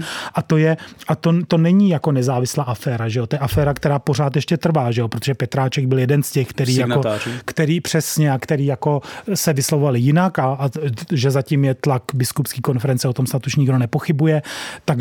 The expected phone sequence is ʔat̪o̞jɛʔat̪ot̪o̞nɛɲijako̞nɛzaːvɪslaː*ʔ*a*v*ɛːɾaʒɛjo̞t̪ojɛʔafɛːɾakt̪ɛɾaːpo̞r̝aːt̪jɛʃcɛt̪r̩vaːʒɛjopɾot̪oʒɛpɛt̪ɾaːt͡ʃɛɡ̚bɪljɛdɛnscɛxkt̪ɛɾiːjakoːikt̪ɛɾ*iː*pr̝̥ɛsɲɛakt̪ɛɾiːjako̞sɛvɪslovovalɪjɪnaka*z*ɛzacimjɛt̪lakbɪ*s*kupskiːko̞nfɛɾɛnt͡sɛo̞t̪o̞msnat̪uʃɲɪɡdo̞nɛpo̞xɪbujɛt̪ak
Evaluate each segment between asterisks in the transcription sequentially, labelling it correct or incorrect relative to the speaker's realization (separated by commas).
correct, incorrect, correct, incorrect, correct